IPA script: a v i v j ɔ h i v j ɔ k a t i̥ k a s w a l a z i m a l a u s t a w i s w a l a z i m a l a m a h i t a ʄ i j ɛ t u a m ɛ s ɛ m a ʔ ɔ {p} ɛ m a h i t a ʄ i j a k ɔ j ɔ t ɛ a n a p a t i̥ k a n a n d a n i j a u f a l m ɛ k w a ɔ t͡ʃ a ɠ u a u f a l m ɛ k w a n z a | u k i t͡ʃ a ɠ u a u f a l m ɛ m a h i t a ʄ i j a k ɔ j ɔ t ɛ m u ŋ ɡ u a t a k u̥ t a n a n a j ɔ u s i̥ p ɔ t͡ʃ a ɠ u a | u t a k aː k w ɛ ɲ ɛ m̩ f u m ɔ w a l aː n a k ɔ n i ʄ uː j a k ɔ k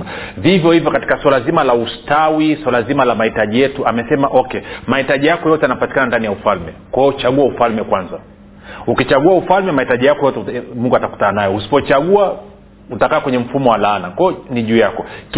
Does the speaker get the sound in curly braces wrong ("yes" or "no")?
yes